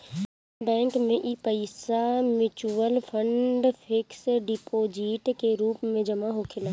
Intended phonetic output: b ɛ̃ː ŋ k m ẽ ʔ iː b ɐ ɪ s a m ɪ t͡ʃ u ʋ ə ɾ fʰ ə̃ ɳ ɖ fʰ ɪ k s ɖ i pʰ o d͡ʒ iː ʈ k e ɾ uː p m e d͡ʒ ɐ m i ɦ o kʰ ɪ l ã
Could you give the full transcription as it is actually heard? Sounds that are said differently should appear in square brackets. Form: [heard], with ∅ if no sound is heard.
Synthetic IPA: b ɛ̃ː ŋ k m ẽ ʔ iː [p] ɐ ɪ s a m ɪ t͡ʃ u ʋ ə [l] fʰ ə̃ ɳ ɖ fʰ ɪ k s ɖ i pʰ o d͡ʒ iː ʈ k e ɾ uː p m [ẽ] d͡ʒ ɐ m [a] ɦ o kʰ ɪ l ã